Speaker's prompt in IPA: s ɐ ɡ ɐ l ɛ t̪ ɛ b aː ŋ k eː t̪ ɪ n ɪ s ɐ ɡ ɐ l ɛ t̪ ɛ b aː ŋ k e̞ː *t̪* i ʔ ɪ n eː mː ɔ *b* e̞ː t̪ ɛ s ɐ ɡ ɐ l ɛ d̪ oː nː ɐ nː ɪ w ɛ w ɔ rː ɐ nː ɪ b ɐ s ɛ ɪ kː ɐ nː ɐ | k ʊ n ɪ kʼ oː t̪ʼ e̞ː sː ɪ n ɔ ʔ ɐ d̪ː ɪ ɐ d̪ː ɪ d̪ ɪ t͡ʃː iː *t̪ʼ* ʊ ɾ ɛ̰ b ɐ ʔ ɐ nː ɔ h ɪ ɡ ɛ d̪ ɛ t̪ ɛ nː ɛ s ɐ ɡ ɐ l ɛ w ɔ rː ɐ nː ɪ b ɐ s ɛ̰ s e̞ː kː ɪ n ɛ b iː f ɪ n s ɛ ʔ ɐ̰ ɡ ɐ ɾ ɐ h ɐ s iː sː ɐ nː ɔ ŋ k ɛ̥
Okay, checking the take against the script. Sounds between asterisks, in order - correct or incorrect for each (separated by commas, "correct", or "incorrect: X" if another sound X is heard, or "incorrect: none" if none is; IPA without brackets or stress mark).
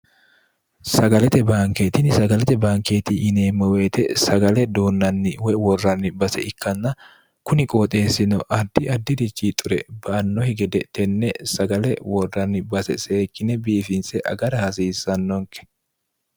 correct, incorrect: w, correct